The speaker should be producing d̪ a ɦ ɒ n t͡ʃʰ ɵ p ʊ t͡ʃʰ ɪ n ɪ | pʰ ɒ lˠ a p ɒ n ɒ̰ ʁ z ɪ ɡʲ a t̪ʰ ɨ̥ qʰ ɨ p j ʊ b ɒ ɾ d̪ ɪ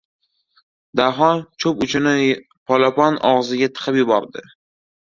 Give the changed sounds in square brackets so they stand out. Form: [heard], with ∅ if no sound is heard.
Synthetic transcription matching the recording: d̪ a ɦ ɒ n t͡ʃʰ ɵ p ʊ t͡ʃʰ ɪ n ɪ | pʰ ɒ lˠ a p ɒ n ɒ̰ ʁ z ɪ ɡʲ a t̪ʰ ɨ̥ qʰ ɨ p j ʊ b ɒ ɾ d̪ ɪ